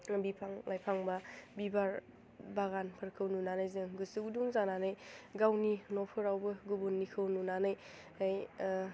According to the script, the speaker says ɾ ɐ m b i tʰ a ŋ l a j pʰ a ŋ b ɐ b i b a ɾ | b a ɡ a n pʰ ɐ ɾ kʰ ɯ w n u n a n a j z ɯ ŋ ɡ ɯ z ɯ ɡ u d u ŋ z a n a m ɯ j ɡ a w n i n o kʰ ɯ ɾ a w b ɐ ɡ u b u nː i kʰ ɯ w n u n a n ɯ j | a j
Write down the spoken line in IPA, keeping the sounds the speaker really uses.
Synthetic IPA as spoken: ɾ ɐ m b i pʰ a ŋ l a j pʰ a ŋ b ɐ b i b a ɾ | b a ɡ a n pʰ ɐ ɾ kʰ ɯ w n u n a n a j z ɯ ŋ ɡ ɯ s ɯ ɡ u d u ŋ z a n a n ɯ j ɡ a w n i n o pʰ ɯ ɾ a w b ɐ ɡ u b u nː i kʰ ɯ w n u n a n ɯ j | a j